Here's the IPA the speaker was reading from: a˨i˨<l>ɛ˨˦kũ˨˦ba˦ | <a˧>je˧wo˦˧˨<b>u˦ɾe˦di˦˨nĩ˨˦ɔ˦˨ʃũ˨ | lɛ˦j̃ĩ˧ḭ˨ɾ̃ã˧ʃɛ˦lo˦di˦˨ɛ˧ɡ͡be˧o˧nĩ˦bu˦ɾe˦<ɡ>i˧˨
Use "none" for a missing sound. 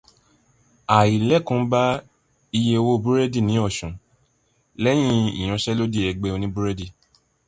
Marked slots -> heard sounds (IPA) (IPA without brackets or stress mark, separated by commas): l, i˧, b, d